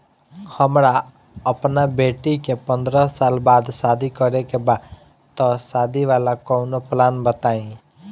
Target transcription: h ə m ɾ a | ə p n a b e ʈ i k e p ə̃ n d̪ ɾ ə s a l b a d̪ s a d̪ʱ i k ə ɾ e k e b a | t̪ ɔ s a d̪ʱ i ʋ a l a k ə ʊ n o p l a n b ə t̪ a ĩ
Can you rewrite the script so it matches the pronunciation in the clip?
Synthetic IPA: h ə m ɾ a | ə p n a b e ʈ i k e p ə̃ n d̪ ɾ ə s a l b a d̪ s a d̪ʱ i k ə ɾ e k e b a | t̪ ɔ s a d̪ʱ i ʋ a l a k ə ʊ n o p l a n b ə t̪ a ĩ